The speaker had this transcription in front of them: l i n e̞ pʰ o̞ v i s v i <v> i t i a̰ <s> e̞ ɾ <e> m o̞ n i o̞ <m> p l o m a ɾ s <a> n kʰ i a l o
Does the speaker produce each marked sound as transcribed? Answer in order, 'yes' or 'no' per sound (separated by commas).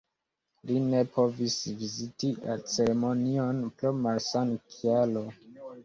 no, no, yes, no, yes